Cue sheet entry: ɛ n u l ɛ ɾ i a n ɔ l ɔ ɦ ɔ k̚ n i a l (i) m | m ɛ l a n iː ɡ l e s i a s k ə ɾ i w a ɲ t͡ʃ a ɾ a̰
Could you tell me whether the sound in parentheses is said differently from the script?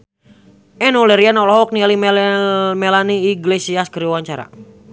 no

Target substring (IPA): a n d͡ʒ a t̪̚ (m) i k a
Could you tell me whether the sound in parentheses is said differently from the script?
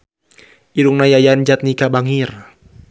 yes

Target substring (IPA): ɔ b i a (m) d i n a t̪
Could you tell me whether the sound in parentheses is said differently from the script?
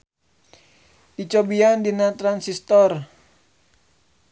yes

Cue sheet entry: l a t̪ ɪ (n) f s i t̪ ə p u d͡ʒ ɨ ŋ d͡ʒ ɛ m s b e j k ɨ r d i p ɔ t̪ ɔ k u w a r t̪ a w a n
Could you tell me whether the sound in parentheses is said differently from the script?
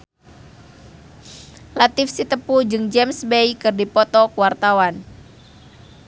yes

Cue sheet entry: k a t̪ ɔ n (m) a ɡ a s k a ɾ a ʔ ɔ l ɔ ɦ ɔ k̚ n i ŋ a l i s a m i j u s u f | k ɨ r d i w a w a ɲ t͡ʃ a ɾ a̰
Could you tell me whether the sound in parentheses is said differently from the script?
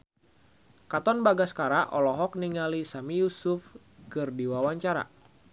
yes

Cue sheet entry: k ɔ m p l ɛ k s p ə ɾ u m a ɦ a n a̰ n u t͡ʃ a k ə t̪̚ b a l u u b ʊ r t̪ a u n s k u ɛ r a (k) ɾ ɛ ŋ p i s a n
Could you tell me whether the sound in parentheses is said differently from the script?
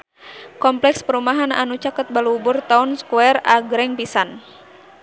yes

